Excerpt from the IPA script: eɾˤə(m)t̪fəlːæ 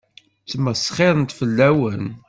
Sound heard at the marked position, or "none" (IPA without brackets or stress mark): n